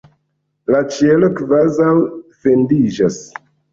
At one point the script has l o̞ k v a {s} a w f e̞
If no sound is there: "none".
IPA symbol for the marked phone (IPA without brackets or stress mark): z